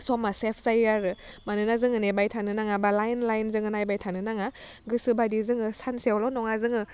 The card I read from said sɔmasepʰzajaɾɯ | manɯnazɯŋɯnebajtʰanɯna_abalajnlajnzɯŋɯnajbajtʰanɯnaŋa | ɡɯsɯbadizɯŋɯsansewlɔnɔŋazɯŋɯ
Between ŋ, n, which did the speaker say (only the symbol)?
ŋ